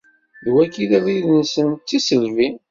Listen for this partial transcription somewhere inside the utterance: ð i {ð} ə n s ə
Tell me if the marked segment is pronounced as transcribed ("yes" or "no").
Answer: yes